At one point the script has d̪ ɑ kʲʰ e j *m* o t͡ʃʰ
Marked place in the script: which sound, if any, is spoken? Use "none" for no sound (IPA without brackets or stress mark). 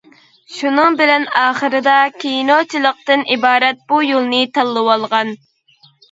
n